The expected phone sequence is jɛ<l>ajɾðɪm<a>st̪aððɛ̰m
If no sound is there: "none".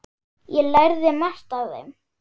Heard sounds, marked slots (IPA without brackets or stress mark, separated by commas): l, a